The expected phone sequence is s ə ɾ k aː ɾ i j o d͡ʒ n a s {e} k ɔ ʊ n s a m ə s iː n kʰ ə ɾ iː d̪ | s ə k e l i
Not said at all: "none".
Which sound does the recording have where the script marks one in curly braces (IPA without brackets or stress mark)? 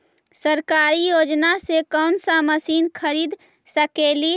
e